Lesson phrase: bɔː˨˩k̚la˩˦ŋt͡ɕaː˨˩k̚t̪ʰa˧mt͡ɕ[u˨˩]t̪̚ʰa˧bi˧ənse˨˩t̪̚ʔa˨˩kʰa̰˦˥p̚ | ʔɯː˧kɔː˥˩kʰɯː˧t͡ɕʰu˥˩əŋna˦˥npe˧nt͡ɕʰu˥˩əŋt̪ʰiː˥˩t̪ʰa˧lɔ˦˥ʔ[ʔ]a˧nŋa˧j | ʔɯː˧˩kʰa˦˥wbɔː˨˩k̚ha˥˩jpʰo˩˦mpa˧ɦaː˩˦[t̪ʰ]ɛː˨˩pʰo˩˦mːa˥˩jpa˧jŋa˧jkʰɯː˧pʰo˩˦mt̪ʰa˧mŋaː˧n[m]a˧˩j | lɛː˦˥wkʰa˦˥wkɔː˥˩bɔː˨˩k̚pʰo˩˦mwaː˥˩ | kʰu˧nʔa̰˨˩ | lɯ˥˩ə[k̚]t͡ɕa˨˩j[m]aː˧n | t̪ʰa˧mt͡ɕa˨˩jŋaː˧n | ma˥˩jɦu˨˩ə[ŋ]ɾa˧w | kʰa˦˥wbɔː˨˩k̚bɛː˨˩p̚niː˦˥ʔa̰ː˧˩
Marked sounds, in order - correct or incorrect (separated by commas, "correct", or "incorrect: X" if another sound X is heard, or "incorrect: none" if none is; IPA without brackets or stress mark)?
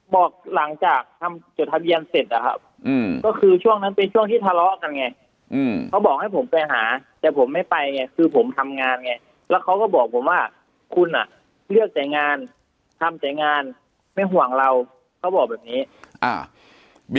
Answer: incorrect: o˨˩, incorrect: k, incorrect: t̪, incorrect: ŋ, correct, incorrect: ŋ, correct